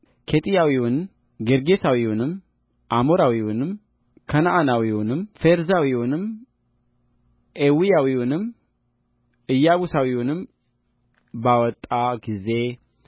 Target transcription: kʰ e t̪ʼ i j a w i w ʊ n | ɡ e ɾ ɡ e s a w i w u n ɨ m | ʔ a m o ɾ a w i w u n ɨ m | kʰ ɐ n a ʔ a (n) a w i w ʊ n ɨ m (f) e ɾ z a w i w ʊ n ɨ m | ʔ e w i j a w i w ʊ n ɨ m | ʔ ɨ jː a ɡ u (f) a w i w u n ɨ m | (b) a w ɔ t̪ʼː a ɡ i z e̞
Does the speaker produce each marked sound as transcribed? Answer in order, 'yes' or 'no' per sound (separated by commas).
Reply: yes, yes, no, yes